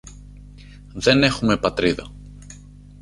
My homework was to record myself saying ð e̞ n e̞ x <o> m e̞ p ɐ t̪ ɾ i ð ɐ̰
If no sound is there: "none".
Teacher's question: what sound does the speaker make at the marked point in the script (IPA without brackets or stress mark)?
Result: u